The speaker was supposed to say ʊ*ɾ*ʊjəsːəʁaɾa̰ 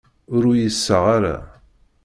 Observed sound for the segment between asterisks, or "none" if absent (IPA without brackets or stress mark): ɾ